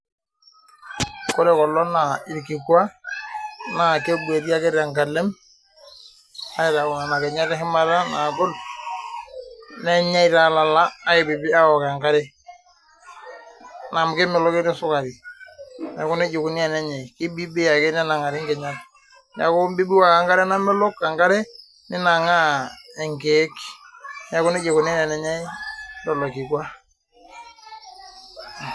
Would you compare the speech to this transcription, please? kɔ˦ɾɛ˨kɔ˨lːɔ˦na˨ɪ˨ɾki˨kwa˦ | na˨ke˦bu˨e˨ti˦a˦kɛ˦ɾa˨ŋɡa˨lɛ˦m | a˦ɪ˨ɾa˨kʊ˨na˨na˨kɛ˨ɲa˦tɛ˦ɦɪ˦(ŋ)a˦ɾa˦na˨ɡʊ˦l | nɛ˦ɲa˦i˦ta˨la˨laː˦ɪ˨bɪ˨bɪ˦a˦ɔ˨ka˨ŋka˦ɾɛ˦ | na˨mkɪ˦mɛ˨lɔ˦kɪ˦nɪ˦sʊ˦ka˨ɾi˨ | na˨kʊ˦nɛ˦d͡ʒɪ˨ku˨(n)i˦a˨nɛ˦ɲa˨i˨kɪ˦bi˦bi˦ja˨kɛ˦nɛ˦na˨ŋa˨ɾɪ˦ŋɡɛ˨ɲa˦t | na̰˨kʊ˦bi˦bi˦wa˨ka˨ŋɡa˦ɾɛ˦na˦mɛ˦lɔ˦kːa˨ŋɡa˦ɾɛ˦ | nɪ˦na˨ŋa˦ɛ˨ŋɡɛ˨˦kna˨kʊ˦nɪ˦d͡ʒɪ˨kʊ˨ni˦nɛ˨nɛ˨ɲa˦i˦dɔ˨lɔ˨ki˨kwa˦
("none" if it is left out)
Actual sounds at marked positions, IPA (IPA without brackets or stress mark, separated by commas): m, n